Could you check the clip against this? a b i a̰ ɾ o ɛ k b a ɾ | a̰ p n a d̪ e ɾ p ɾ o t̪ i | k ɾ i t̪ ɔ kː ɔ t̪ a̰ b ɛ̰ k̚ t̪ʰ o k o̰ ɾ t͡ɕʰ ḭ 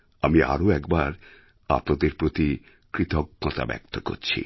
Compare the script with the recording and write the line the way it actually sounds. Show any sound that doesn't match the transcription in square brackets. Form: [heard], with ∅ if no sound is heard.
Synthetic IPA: a [m] i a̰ ɾ o ɛ k b a ɾ | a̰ p n a d̪ e ɾ p ɾ o t̪ i | k ɾ i t̪ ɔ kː ɔ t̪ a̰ b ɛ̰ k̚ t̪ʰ o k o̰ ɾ t͡ɕʰ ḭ